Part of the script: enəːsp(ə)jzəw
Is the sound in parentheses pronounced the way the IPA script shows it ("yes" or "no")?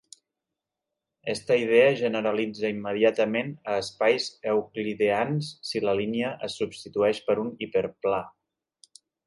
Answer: no